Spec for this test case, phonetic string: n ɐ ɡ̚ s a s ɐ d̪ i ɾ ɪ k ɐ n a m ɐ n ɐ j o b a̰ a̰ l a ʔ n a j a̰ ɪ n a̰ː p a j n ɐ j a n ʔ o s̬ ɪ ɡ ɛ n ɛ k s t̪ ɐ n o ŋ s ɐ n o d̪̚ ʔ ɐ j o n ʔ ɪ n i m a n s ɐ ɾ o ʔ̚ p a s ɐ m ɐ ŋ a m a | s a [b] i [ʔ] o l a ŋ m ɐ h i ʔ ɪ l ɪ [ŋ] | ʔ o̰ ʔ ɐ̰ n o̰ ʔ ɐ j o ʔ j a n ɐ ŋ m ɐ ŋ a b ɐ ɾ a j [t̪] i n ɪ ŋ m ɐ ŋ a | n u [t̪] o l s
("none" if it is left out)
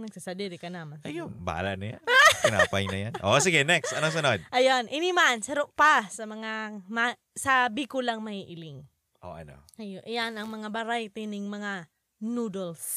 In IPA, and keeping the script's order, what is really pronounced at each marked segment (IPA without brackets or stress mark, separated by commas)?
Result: b, k, ŋ, t̪, d̪